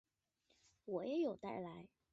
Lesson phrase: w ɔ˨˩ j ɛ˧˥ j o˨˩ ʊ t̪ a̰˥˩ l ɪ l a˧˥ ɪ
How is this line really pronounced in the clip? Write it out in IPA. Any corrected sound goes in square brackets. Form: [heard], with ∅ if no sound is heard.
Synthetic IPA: w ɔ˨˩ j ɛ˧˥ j o˨˩ ʊ t̪ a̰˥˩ [∅] ɪ l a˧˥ ɪ